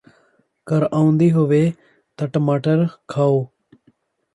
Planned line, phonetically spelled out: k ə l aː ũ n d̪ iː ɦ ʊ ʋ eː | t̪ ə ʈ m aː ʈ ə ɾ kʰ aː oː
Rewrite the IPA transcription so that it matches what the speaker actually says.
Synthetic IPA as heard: k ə ɾ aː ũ n d̪ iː ɦ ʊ ʋ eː | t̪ ə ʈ m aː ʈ ə ɾ kʰ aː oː